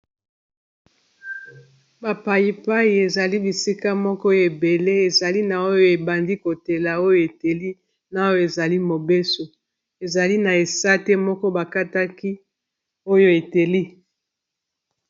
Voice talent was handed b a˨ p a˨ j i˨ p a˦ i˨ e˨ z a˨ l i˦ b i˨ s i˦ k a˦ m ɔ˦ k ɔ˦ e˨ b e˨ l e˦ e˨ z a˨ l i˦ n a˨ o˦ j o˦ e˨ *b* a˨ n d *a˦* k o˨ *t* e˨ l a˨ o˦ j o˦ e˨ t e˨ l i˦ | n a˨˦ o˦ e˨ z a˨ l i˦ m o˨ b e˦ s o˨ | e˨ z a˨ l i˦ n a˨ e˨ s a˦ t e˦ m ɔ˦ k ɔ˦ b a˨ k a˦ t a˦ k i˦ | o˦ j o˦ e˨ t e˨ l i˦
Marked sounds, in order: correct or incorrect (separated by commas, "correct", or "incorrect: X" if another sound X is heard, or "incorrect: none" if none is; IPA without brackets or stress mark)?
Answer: correct, incorrect: i˦, correct